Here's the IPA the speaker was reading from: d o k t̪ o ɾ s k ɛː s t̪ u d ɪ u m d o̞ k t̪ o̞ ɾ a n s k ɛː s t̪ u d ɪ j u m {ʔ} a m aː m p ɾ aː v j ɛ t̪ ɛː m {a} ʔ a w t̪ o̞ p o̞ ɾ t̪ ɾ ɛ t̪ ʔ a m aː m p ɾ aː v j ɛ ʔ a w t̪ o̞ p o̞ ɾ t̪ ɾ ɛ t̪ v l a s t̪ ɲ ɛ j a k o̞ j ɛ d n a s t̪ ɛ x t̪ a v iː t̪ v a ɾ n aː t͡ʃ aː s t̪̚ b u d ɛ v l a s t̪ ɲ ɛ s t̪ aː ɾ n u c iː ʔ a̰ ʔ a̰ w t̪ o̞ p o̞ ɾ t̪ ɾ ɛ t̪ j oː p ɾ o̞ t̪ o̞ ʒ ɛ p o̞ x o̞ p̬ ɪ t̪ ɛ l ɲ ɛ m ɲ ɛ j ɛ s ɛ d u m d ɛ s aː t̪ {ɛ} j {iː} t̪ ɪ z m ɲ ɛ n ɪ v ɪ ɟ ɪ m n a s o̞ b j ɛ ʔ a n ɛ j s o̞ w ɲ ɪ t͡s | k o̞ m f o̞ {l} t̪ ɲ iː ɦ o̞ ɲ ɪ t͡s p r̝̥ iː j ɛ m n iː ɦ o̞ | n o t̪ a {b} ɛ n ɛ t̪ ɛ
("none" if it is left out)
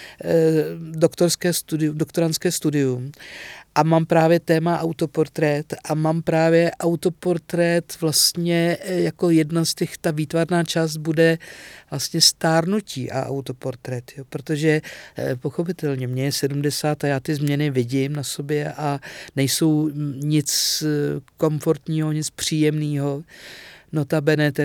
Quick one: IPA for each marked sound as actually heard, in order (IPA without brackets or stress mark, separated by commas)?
ʔ, a, a, aː, ɾ, b